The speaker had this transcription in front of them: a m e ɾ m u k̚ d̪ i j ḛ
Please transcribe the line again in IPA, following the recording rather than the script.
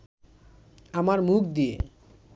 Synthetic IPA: a m a ɾ m u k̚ d̪ i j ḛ

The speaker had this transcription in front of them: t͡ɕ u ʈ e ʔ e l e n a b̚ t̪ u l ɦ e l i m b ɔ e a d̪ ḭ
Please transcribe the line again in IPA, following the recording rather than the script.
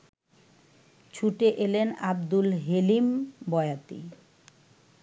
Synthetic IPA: t͡ɕʰ u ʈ e ʔ e l e n a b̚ d̪ u l ɦ e l i m b ɔ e a t̪ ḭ

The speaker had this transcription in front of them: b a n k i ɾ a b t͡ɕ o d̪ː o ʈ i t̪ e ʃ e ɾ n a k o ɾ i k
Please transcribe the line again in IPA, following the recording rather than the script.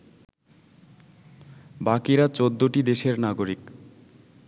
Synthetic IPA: b a k i ɾ a t͡ɕ o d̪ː o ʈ i d̪ e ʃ e ɾ n a ɡ o ɾ i k

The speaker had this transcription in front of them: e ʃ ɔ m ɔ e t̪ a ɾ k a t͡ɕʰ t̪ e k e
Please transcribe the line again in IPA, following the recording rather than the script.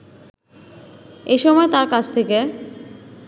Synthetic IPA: e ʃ ɔ m ɔ e t̪ a ɾ k a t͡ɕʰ t̪ʰ e k e

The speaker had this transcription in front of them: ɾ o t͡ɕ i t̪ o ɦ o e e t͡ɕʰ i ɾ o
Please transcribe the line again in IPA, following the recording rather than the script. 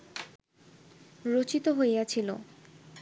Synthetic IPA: ɾ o t͡ɕ i t̪ o ɦ o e a t͡ɕʰ i l o

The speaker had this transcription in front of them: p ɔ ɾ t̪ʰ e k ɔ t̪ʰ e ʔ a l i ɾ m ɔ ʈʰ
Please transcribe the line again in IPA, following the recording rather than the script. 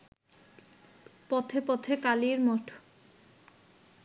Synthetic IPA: p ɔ t̪ʰ e p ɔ t̪ʰ e k a l i ɾ m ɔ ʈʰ

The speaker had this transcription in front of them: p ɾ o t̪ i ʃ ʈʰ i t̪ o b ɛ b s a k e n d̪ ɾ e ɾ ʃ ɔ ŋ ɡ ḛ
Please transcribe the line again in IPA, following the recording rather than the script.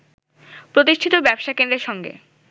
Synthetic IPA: p ɾ o t̪ i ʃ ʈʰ i t̪ o b ɛ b ʃ a k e n d̪ ɾ e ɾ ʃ ɔ ŋ ɡ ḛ

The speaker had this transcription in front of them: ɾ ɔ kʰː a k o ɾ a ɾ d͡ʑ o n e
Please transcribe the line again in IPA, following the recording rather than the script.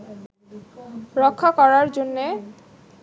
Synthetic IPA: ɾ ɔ kʰː a k ɔ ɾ a ɾ d͡ʑ o nː e

